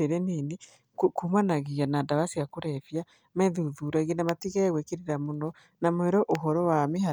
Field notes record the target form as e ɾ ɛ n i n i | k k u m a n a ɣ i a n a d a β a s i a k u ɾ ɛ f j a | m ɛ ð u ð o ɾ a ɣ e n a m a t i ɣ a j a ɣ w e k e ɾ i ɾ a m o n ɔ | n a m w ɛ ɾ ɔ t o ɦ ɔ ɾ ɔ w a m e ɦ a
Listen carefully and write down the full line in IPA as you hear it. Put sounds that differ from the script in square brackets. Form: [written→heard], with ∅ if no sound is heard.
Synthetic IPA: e ɾ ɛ n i n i | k k u m a n a ɣ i a n a d a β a s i a k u ɾ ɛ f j a | m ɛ ð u ð [o→u] ɾ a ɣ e n a m a t i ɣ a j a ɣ w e k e ɾ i ɾ a m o n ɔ | n a m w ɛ ɾ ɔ [t→ʔ] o ɦ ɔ ɾ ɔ w a m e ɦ a